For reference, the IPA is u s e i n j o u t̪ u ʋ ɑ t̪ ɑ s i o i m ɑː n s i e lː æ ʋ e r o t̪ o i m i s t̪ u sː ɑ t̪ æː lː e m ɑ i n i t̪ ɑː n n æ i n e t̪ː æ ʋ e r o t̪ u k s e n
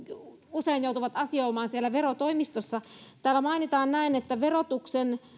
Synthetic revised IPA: u s e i n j o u t̪ u ʋ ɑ t̪ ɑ s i o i m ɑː n s i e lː æ ʋ e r o t̪ o i m i s t̪ o sː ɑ t̪ æː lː æ m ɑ i n i t̪ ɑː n n æ i n e t̪ː æ ʋ e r o t̪ u k s e n